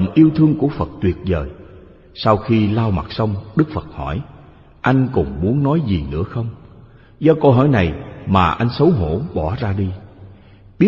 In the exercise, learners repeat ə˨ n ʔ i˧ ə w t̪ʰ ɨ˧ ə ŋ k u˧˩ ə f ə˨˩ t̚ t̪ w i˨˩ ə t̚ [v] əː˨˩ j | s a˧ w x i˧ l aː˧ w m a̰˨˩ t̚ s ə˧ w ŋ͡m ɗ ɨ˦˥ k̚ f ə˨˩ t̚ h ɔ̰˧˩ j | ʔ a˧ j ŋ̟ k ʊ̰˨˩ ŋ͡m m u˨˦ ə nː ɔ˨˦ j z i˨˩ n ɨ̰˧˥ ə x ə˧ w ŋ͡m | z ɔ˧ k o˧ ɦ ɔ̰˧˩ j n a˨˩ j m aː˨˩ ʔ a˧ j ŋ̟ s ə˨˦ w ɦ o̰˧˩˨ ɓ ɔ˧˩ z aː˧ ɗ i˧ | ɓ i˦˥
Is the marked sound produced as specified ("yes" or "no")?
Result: no